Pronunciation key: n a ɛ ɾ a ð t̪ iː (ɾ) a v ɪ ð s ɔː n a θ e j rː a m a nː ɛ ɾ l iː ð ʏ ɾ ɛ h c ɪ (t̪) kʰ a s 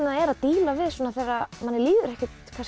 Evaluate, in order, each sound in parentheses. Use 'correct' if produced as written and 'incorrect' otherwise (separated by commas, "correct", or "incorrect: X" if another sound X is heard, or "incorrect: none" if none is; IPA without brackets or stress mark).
incorrect: l, correct